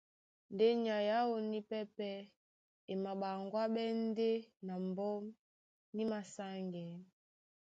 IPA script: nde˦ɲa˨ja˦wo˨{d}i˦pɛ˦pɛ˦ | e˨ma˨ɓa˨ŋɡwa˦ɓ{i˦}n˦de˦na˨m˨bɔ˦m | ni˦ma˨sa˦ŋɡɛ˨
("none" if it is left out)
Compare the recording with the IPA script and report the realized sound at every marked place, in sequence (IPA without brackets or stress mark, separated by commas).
n, ɛ˦